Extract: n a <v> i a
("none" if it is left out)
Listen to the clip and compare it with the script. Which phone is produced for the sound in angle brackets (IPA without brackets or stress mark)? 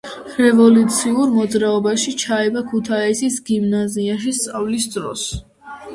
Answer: z